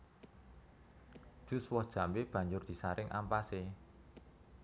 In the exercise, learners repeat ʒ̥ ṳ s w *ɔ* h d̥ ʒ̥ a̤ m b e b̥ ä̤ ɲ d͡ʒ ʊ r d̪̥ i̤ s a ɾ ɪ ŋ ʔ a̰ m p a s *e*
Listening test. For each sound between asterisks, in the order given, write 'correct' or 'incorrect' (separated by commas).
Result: correct, correct